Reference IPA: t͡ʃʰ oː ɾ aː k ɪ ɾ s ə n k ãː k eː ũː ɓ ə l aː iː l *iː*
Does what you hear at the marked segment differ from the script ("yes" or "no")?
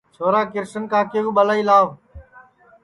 yes